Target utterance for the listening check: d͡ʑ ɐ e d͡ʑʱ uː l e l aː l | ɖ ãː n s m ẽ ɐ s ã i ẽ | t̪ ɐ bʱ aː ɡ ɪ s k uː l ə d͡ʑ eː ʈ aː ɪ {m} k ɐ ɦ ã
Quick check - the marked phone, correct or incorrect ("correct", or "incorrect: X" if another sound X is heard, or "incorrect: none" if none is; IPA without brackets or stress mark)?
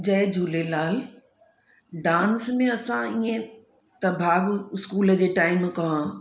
correct